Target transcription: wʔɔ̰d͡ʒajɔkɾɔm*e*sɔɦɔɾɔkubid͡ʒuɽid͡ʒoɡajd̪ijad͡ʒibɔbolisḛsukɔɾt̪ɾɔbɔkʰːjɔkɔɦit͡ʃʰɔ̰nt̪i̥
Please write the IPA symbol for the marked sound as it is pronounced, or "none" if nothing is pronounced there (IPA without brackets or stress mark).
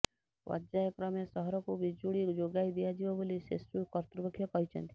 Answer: e